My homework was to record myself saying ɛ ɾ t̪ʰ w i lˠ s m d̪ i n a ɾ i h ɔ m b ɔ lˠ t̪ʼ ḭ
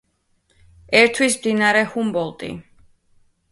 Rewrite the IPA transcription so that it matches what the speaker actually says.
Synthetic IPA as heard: ɛ ɾ t̪ʰ w i s m d̪ i n a ɾ ɛ h u m b ɔ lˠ t̪ʼ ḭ

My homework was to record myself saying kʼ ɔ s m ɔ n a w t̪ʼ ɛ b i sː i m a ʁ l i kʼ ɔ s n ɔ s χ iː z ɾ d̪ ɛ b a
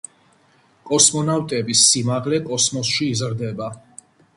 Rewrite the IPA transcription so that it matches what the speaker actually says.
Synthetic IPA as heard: kʼ ɔ s m ɔ n a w t̪ʼ ɛ b i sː i m a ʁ l ɛ kʼ ɔ s m ɔ s ʃ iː z ɾ d̪ ɛ b a

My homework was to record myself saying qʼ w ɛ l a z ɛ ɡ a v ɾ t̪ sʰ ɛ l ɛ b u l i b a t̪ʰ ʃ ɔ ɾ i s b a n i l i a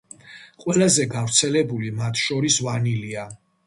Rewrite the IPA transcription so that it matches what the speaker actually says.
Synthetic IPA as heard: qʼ w ɛ l a z ɛ ɡ a v ɾ t̪ sʰ ɛ l ɛ b u l i m a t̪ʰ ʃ ɔ ɾ i s v a n i l i a

